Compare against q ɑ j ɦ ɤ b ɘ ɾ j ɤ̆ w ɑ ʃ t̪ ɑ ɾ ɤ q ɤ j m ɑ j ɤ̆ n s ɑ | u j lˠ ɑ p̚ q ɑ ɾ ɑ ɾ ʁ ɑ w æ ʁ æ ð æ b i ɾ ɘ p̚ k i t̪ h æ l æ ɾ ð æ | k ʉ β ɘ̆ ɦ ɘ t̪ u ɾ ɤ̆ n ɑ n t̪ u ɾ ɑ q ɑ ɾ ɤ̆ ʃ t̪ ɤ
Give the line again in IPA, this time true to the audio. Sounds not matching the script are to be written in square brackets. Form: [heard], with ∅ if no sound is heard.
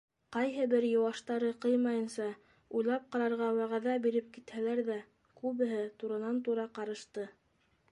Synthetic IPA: q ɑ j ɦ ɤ b ɘ ɾ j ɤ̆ w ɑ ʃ t̪ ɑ ɾ ɤ q ɤ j m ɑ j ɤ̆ n s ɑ | u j lˠ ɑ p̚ q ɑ ɾ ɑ ɾ ʁ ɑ w æ ʁ æ ð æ b i ɾ ɘ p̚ k i t̪ h æ l æ ɾ ð æ | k ʉ β ɘ̆ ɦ ɘ t̪ u ɾ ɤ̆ n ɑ n t̪ u ɾ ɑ q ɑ ɾ ɤ̆ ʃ t̪ ɤ